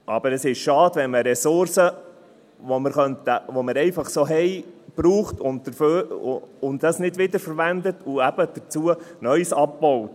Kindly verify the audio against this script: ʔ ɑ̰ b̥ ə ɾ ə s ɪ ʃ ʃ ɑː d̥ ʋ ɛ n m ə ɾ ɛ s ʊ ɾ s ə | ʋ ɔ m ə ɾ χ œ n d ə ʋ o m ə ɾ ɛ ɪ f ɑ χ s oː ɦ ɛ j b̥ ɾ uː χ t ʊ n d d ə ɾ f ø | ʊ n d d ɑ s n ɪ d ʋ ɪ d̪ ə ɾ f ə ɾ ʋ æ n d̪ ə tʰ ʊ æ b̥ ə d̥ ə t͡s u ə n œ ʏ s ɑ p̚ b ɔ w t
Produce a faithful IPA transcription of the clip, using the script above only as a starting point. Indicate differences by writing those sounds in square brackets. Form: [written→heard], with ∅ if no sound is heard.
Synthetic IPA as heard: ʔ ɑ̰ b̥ ə ɾ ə s ɪ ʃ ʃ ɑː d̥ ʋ ɛ n m ə ɾ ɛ s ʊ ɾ s ə | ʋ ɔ m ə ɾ χ œ n [d→t] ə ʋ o m ə ɾ ɛ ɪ f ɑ χ s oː ɦ ɛ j b̥ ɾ uː χ t ʊ n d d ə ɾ f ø | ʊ n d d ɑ s n ɪ d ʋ ɪ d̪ ə ɾ f ə ɾ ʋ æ n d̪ ə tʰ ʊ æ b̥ ə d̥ ə t͡s u ə n œ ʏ s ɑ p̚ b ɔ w t